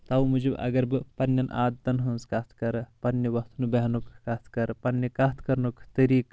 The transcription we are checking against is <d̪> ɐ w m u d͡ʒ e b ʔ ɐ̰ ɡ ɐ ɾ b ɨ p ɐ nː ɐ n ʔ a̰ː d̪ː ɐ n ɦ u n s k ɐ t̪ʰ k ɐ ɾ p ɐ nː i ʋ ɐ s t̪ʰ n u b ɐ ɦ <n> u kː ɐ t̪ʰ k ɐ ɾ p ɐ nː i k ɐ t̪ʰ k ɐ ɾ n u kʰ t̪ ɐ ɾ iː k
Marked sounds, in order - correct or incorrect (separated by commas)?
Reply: incorrect, correct